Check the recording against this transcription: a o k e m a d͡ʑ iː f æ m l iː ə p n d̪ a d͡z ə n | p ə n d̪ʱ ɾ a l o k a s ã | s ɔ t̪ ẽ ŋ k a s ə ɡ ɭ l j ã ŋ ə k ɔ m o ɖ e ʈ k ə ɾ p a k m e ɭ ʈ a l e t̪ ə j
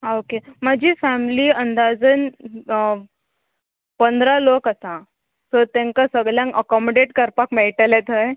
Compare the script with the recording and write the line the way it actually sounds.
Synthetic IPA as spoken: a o k e m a d͡ʑ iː f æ m l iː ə n d̪ a d͡z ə n | p ə n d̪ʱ ɾ a l o k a s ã | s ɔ t̪ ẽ ŋ k a s ə ɡ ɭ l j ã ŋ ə k ɔ m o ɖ e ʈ k ə ɾ p a k m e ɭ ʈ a l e t̪ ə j